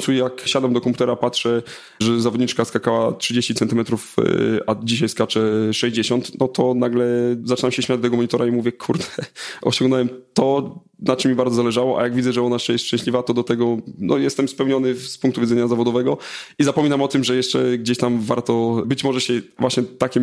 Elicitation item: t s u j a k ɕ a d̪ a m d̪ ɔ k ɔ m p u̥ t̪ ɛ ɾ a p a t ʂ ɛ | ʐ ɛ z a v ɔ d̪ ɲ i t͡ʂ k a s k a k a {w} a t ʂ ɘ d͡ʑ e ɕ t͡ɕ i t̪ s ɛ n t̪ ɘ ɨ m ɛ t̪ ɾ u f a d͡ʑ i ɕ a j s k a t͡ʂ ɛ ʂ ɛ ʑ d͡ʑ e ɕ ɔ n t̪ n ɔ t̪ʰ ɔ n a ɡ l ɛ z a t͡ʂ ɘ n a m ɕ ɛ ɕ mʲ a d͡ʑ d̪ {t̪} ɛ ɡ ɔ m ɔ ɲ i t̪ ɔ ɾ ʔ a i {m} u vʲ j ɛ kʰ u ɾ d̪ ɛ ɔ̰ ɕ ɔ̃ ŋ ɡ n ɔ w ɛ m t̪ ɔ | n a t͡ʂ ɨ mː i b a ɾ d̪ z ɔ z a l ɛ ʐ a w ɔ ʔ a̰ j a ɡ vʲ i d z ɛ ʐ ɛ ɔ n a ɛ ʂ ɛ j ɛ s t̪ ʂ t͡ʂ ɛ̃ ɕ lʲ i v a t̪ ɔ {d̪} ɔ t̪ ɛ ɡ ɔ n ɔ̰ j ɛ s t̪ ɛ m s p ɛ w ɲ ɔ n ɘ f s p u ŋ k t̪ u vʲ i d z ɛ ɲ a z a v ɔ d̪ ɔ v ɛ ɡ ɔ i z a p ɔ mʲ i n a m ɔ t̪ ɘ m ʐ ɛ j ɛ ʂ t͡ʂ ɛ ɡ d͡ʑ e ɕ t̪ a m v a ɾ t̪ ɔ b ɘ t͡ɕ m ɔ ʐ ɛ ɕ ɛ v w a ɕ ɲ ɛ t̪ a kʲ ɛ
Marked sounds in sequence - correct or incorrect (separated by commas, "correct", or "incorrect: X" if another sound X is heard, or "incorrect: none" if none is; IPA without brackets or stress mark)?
correct, correct, correct, correct